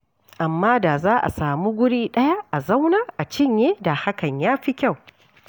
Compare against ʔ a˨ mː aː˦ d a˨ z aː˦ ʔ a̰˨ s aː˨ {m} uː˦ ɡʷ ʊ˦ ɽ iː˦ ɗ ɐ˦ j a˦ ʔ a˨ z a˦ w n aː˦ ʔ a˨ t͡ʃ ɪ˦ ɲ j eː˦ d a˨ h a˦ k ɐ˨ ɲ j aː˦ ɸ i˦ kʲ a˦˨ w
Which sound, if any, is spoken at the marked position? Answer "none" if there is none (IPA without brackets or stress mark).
m